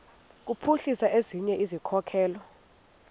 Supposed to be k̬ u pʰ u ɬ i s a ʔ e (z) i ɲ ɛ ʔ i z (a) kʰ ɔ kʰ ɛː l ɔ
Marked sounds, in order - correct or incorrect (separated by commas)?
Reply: correct, incorrect